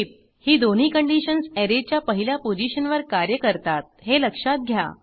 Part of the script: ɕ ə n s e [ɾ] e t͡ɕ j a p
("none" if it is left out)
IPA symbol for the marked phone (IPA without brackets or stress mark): ɾ